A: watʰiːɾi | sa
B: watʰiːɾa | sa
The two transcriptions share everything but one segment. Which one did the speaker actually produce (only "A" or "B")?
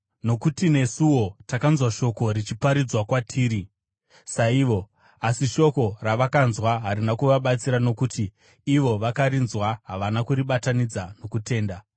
A